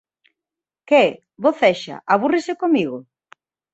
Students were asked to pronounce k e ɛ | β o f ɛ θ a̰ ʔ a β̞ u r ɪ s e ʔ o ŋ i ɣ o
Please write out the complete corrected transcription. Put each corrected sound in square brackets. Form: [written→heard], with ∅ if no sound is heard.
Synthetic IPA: k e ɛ | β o [f→θ] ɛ [θ→ʃ] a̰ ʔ a β̞ u r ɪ s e [ʔ→k] o [ŋ→m] i ɣ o